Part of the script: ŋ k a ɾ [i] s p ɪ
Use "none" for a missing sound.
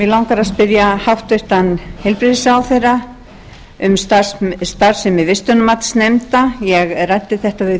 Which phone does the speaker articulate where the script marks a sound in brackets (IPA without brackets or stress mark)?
a